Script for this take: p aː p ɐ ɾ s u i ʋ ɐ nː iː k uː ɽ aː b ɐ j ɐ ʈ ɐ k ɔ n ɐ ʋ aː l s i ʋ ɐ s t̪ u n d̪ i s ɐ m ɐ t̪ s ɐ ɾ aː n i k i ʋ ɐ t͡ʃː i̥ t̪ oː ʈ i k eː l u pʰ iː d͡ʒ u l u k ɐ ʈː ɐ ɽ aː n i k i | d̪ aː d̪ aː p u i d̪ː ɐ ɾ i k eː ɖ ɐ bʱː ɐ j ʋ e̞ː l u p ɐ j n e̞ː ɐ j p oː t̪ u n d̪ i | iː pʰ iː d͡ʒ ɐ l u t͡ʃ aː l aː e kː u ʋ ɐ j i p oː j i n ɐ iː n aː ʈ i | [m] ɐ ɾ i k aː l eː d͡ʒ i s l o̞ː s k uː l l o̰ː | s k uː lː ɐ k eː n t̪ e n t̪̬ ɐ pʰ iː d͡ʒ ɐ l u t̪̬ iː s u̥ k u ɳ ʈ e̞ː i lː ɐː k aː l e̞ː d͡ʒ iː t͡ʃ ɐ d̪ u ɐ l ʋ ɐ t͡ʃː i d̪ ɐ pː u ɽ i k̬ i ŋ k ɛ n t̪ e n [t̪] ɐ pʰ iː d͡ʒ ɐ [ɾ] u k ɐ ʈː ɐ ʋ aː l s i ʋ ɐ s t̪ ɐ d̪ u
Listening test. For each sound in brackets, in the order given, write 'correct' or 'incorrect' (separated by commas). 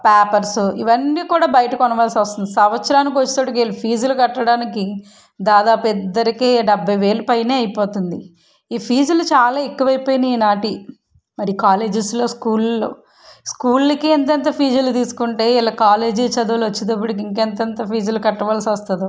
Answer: correct, correct, incorrect